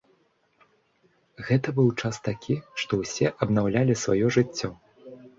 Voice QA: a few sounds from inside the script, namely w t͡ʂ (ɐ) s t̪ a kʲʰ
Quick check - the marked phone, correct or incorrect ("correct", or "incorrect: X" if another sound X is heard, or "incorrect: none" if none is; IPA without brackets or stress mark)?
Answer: incorrect: a